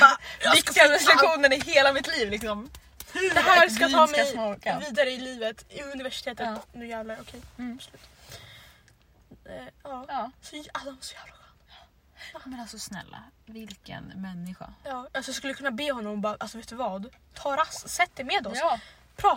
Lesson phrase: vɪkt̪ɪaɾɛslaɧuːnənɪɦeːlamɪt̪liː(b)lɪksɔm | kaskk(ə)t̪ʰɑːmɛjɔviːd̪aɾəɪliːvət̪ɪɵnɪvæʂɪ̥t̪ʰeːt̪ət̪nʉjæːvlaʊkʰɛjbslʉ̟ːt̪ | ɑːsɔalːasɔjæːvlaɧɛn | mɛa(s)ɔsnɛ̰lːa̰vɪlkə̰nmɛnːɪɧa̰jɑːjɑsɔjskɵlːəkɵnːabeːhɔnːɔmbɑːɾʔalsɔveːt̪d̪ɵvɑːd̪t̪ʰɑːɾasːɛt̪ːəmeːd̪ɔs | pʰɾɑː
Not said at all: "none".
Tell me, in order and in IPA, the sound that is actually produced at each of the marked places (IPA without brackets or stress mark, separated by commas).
v, a, s